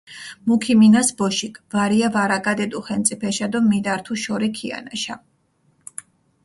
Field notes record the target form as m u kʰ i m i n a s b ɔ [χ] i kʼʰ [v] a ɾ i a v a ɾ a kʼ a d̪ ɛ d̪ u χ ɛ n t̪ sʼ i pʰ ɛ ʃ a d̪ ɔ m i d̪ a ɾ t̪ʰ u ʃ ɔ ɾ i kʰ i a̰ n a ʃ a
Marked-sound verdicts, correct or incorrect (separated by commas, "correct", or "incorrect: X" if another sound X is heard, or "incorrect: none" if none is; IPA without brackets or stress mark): incorrect: ʃ, correct